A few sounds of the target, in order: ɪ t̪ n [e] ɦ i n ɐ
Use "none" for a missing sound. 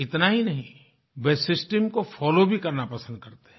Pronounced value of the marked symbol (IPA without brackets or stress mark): a